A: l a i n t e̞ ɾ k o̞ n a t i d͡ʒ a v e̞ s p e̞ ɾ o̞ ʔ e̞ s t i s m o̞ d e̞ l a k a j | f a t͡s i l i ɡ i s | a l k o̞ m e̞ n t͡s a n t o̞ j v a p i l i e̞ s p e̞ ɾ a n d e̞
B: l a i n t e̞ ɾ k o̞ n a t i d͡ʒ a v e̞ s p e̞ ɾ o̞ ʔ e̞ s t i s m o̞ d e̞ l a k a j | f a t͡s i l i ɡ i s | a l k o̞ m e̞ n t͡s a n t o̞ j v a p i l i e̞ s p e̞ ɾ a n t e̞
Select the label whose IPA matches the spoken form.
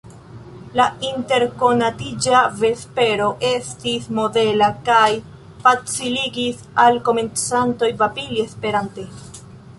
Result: B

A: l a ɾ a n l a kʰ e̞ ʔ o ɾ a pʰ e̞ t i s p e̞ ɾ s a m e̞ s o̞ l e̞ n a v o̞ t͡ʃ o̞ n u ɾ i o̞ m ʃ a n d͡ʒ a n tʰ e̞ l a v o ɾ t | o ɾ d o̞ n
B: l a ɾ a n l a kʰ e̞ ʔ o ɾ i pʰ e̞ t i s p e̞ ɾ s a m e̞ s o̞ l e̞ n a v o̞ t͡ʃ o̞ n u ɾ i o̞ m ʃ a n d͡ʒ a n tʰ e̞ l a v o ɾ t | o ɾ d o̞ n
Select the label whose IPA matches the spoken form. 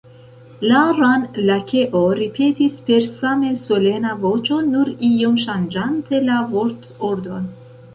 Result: B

